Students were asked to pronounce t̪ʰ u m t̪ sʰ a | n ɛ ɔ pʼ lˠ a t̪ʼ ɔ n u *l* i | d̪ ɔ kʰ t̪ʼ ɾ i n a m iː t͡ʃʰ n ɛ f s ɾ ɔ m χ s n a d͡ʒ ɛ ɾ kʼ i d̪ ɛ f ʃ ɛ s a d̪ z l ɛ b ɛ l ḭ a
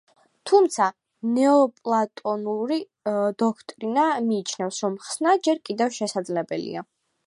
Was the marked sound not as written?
yes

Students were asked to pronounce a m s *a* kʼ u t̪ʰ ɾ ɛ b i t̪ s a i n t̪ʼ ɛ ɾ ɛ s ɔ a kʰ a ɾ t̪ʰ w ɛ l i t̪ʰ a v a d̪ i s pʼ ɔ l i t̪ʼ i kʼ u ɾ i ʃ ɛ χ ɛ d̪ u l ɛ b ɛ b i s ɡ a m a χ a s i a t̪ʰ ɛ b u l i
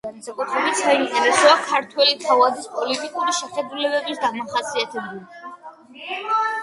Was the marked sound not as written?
no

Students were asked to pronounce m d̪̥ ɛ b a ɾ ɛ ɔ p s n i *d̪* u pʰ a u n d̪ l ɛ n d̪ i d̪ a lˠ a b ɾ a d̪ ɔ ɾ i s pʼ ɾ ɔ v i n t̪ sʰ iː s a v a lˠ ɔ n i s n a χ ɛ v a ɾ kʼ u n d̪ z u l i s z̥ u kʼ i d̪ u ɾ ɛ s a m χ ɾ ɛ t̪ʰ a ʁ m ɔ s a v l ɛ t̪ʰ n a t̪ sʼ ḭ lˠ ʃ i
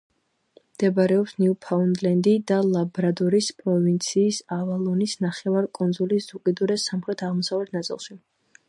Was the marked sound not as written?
yes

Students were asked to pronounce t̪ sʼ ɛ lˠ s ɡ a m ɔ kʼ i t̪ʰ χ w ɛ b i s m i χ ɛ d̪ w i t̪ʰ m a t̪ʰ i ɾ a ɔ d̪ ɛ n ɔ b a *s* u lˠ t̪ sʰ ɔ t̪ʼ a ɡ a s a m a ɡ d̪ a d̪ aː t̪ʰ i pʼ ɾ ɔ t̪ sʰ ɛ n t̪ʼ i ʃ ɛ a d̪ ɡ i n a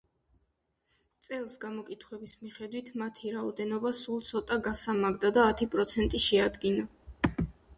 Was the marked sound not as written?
no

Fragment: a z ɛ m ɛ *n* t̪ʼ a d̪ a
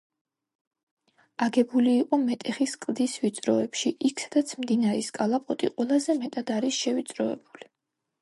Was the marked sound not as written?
yes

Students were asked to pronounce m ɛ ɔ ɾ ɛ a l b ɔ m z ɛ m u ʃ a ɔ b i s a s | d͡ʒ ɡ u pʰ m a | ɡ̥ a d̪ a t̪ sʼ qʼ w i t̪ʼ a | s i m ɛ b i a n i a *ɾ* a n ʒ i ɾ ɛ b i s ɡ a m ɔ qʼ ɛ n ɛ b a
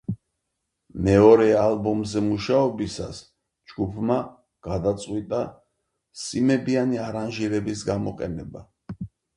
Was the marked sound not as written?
no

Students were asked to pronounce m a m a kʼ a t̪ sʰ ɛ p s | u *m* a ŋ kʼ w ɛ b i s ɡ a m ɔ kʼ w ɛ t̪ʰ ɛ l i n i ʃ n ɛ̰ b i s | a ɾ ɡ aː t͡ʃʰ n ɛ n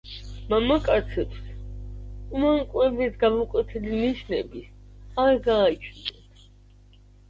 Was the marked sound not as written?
no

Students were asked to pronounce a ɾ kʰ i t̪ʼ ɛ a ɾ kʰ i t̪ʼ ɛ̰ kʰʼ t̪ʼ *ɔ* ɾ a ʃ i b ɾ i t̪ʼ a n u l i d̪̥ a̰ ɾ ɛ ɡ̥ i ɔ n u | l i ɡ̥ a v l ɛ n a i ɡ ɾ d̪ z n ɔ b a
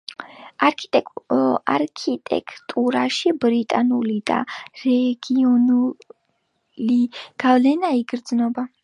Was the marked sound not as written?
yes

